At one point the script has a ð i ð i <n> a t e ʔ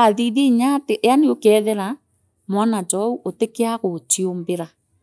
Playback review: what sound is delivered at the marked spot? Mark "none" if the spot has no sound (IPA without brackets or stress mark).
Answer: ɲ